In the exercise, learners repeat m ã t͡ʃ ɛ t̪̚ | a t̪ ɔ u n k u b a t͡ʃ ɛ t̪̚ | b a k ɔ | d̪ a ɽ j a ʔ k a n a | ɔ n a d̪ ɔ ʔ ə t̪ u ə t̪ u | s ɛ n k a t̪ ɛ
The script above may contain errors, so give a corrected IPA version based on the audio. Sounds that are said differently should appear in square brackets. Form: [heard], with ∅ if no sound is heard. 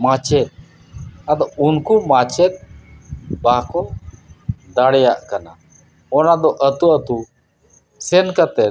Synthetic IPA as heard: m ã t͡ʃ ɛ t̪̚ | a [d̪] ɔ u n k u [m] a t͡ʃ ɛ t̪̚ | b a k ɔ | d̪ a ɽ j a ʔ k a n a | ɔ n a d̪ ɔ ʔ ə t̪ u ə t̪ u | s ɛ n k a t̪ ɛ